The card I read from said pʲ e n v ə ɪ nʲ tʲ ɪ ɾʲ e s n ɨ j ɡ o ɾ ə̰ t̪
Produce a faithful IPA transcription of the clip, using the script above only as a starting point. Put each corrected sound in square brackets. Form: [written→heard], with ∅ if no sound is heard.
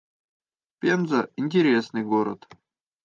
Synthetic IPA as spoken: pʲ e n [v→z] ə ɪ nʲ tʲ ɪ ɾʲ e s n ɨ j ɡ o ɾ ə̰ t̪